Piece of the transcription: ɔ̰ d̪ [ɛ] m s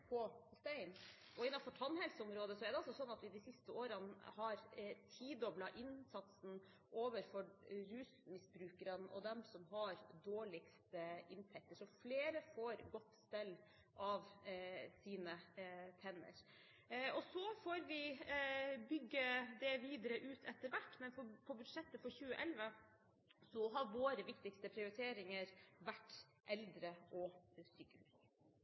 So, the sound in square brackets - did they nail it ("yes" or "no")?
yes